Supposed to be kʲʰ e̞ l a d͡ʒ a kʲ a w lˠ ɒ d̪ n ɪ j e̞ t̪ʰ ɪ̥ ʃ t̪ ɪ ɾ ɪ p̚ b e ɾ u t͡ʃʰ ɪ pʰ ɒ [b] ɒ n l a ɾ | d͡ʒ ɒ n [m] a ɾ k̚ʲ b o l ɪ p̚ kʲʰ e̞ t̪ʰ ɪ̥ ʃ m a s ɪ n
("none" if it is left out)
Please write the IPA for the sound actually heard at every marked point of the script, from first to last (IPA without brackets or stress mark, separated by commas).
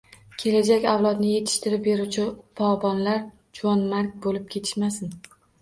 b, m